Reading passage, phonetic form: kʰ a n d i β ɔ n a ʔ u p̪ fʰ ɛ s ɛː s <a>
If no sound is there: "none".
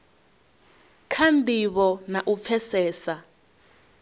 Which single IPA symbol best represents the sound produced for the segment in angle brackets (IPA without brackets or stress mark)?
a